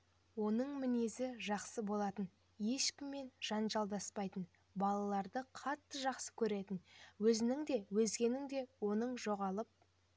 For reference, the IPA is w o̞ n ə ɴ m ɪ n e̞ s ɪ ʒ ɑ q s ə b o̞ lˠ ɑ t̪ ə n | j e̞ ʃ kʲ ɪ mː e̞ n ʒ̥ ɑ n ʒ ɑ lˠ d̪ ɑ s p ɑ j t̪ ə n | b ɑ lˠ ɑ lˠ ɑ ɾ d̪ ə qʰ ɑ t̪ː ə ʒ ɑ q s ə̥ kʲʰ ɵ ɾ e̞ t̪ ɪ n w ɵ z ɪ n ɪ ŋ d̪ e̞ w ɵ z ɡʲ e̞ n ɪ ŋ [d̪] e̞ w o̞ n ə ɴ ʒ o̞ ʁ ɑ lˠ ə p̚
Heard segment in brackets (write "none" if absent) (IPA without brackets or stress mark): d̪